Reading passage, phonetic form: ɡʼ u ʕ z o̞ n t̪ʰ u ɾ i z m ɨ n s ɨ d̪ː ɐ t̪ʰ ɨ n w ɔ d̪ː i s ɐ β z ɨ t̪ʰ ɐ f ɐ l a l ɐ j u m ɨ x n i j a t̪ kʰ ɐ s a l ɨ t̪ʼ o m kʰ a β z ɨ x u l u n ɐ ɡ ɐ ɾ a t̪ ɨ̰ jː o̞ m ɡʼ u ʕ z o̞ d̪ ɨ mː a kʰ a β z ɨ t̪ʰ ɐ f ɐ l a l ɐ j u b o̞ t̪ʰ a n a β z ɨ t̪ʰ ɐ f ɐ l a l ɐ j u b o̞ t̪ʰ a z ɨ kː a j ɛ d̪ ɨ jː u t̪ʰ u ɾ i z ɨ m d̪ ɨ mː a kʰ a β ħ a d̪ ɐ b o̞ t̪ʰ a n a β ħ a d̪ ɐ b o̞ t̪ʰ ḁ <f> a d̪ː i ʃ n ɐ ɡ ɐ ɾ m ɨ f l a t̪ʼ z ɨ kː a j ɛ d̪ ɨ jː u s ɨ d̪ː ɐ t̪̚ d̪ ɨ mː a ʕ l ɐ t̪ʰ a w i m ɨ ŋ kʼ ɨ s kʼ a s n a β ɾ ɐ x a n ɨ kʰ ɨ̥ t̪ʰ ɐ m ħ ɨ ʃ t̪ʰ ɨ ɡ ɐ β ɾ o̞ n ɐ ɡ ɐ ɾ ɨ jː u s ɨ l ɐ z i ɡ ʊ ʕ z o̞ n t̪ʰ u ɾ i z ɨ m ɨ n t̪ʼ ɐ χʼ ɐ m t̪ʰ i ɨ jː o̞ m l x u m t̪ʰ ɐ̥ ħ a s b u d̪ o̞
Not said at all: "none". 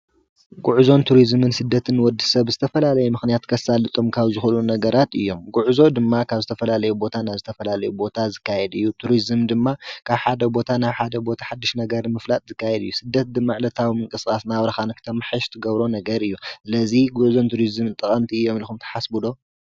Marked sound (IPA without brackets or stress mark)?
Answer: ħ